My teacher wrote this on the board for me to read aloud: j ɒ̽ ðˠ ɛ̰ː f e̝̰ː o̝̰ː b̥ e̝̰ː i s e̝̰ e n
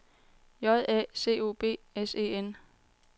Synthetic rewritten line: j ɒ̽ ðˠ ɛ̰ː s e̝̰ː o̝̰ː b̥ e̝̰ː e s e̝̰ e n